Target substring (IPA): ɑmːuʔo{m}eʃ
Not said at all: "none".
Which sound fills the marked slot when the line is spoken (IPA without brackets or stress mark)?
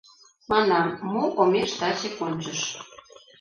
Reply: m